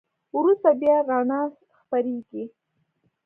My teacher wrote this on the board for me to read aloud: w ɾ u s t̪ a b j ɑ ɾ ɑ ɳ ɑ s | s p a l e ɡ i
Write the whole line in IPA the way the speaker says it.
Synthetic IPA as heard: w ɾ u s t̪ a b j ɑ ɾ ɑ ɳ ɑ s | x p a ɾ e ɡ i